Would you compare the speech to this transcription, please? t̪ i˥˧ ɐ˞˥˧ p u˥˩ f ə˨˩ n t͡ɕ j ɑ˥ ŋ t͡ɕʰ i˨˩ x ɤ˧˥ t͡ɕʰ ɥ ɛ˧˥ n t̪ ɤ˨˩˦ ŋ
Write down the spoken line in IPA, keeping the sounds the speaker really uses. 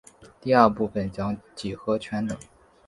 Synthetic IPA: t̪ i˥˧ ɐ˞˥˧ p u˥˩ f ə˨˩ n t͡ɕ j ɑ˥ ŋ t͡ɕ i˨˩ x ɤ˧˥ t͡ɕʰ ɥ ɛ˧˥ n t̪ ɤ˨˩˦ ŋ